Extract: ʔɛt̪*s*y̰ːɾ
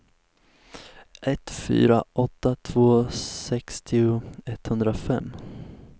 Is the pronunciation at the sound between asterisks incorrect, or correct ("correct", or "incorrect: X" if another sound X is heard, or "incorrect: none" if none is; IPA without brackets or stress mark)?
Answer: incorrect: f